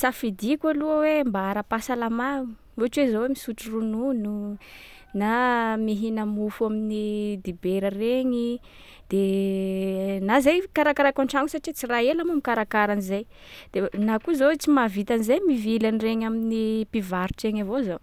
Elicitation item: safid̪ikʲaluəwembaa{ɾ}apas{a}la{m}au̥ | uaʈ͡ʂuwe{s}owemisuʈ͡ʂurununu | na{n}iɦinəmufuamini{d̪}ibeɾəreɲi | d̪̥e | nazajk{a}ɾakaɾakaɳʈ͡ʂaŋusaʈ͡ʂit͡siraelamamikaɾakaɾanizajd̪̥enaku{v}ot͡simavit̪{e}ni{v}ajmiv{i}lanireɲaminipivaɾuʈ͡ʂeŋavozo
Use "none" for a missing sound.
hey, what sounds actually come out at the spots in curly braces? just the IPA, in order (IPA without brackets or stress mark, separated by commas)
ɾ, a, m, z, m, d̪, a, z, a, z, i